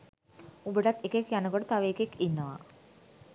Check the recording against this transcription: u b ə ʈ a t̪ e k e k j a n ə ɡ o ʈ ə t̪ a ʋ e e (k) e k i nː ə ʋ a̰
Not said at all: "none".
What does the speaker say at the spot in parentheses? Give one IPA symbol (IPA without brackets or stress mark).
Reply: k